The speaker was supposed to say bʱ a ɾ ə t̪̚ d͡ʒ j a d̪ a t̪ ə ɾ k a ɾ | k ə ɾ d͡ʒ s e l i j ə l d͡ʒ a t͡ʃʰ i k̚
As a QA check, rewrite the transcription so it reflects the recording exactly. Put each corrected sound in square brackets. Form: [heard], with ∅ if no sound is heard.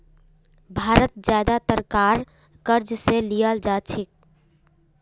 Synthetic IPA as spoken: bʱ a ɾ ə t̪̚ d͡ʒ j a d̪ a t̪ ə ɾ k a ɾ | k ə ɾ d͡ʒ s e l i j ə l d͡ʒ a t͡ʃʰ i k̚